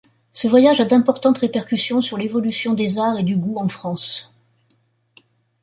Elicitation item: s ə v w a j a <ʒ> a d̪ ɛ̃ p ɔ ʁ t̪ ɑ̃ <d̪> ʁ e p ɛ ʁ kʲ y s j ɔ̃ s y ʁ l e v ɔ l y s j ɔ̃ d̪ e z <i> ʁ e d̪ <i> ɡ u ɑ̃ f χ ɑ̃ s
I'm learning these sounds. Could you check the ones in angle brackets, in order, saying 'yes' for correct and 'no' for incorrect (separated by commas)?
yes, no, no, no